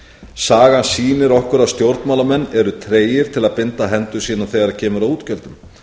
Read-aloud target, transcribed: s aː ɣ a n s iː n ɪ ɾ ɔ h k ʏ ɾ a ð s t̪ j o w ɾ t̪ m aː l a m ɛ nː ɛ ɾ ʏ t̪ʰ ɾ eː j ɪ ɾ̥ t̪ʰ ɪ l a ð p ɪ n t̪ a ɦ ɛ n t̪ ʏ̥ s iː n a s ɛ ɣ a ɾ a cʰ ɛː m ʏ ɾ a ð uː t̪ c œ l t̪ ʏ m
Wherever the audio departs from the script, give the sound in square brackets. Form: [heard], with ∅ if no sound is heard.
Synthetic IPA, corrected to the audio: s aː ɣ a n s iː n ɪ ɾ ɔ h k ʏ ɾ a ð s t̪ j o w ɾ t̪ m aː l a m ɛ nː ɛ ɾ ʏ t̪ʰ ɾ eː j ɪ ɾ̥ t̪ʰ ɪ l a ð p ɪ n t̪ a ɦ ɛ n t̪ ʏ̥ s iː n a [θ] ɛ ɣ a ɾ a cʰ ɛː m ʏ ɾ a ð uː t̪ c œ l t̪ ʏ m